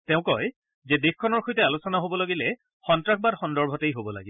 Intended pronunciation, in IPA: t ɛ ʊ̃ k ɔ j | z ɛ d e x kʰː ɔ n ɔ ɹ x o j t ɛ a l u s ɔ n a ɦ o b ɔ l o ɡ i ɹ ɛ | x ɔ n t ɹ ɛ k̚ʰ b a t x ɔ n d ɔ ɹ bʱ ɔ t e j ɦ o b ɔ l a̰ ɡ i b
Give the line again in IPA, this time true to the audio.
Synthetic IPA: t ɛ ʊ̃ k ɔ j | z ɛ d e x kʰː ɔ n ɔ ɹ x o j t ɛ a l u s ɔ n a ɦ o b ɔ l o ɡ i l ɛ | x ɔ n t ɹ a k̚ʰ b a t x ɔ n d ɔ ɹ bʱ ɔ t e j ɦ o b ɔ l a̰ ɡ i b